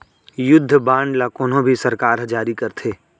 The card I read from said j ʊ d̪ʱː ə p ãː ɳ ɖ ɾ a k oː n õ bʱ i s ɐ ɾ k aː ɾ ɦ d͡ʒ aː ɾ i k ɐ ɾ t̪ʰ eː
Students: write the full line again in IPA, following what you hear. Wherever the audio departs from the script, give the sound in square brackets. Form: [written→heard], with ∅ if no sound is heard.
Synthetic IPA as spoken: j ʊ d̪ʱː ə [p→b] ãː ɳ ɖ [ɾ→l] a k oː n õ bʱ i s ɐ ɾ k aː ɾ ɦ d͡ʒ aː ɾ i k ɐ ɾ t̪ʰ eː